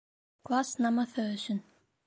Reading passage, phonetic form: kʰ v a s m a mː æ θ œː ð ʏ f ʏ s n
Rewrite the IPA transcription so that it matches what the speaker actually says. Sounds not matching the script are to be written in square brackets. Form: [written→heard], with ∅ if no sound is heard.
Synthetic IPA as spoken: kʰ v a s [m→n] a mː [æ→a] θ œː ð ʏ [f→s] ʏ [s→∅] n